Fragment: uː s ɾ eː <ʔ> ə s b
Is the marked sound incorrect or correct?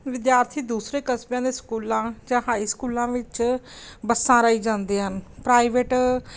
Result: incorrect